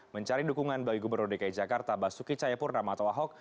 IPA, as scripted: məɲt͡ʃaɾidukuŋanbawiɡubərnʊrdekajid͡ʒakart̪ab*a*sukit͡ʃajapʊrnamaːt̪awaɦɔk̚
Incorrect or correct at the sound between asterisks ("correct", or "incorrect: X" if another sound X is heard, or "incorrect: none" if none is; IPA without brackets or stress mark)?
correct